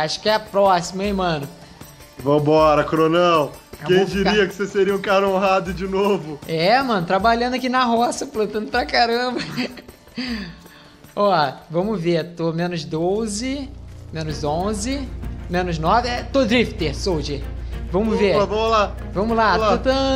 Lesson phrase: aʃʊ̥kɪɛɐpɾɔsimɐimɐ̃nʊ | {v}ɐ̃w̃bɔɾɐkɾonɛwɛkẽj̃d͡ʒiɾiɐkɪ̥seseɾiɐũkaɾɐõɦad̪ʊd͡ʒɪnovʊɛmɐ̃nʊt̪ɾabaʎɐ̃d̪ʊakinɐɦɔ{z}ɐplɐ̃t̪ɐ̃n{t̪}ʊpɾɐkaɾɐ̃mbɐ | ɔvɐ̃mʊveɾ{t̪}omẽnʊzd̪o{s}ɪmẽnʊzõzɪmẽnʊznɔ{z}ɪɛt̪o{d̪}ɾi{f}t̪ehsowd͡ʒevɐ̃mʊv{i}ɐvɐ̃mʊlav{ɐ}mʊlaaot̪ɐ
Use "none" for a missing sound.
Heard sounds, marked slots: v, s, d̪, t̪, z, v, d̪, f, e, ɐ̃

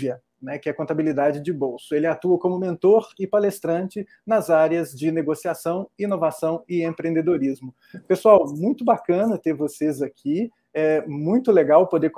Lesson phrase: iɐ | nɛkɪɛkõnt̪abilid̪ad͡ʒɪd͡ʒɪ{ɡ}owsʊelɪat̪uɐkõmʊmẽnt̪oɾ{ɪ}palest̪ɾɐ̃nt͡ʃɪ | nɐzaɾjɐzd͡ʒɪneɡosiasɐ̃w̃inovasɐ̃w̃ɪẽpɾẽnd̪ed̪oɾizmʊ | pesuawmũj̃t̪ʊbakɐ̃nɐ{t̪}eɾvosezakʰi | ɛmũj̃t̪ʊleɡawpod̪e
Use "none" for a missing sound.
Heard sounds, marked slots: b, ɪ, t̪

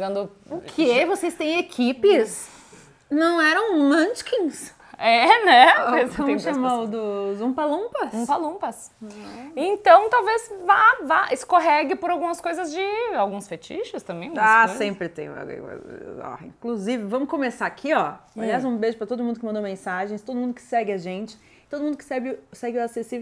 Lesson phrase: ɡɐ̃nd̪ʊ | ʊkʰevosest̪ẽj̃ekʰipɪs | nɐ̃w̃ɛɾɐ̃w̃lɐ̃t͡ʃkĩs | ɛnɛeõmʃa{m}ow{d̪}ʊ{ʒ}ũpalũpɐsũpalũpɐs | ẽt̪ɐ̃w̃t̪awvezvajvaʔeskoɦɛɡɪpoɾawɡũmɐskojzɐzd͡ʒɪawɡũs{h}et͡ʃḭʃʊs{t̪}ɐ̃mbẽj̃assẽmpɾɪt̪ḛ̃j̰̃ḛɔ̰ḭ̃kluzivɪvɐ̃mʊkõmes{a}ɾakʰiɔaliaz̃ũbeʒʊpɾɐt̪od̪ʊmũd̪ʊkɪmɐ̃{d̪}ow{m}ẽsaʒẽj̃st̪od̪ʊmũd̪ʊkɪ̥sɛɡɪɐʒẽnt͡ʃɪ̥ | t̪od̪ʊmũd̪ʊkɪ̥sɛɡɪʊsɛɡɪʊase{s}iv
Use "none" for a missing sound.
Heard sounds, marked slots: m, d̪, z, f, t̪, a, d̪, m, s

